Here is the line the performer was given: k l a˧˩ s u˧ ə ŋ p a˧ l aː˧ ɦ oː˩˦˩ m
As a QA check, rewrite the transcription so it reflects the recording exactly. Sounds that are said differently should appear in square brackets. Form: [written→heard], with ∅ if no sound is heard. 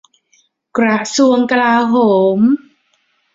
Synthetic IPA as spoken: k [l→ɾ] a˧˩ s u˧ ə ŋ [p→k] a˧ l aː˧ ɦ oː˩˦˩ m